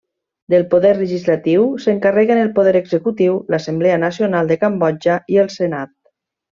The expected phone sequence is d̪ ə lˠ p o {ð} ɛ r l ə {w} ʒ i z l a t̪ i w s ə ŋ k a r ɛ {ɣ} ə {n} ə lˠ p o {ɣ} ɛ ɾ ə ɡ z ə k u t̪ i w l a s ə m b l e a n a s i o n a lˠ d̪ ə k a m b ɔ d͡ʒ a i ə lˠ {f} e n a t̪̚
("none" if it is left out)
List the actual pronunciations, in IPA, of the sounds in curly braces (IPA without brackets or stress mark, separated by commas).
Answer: ð, none, ɣ, n, ð, s